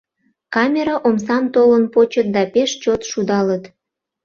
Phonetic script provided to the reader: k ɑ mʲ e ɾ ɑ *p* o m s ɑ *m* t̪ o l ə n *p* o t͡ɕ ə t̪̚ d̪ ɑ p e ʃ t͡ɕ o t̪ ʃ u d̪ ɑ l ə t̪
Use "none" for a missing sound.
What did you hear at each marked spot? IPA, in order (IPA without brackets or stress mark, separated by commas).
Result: ʔ, m, p